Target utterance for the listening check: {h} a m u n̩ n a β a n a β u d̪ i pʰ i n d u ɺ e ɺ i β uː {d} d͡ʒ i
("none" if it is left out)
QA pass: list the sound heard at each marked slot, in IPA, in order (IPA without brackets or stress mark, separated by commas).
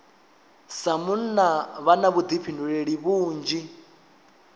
s, n